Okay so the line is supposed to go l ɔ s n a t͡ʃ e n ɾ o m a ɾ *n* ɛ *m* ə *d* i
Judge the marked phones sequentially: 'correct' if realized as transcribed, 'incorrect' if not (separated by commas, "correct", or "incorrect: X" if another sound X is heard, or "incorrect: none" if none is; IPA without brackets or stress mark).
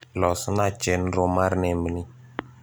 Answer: correct, correct, incorrect: n